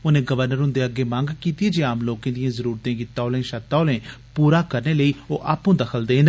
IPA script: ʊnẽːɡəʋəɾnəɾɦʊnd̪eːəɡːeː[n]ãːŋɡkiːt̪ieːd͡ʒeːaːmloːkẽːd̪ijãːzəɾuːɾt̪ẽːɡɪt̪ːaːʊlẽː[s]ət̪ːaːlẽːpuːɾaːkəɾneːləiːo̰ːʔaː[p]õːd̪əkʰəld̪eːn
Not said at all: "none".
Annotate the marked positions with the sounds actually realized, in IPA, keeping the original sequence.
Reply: m, ʃ, p

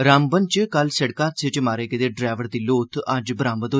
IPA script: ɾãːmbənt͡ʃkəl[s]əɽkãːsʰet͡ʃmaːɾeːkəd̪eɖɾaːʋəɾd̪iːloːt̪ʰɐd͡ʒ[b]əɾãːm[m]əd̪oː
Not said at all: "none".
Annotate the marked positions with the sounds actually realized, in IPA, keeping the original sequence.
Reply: s, b, b

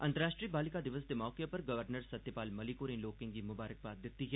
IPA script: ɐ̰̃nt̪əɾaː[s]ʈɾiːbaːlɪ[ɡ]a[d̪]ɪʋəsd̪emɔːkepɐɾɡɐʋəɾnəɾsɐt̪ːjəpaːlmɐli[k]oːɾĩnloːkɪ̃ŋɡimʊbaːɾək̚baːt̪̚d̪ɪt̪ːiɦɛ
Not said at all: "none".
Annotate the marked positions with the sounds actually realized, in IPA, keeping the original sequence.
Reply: ʃ, k, d̪, k

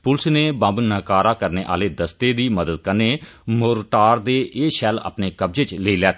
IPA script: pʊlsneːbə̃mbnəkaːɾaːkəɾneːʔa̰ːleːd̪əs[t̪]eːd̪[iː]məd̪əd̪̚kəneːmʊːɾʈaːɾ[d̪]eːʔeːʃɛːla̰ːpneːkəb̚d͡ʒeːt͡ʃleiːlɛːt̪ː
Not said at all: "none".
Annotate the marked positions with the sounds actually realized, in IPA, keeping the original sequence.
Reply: t̪, iː, d̪

